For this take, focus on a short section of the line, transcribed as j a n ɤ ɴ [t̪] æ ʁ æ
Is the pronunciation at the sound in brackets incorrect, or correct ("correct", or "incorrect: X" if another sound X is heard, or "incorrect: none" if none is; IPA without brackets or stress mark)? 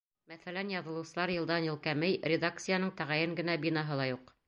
correct